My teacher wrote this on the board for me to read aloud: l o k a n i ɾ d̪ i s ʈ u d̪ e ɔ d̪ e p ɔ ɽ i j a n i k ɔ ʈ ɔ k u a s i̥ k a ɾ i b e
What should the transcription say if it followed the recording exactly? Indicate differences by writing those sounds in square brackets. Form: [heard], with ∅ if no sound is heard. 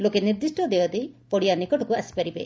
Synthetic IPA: l o k [e] n i ɾ d̪ i s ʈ [ɔ] d̪ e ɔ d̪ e p ɔ ɽ i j a n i k ɔ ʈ ɔ k u a s i̥ [p] a ɾ i b e